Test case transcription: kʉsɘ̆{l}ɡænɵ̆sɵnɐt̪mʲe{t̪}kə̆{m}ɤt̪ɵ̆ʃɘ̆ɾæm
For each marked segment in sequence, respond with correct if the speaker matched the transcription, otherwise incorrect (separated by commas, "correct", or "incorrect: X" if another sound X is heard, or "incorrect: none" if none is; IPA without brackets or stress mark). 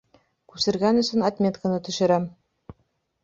incorrect: ɾ, correct, incorrect: n